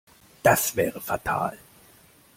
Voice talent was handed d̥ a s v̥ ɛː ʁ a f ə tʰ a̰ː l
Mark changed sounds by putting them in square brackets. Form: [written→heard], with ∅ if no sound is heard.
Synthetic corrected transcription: d̥ a s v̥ ɛː ʁ [a→ə] f [ə→a] tʰ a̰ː l